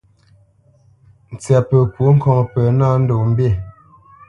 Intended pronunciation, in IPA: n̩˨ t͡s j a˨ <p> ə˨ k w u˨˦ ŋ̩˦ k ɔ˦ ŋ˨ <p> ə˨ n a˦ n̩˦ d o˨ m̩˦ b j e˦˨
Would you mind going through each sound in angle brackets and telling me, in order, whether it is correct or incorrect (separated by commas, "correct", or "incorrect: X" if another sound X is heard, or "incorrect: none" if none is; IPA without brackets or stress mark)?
correct, correct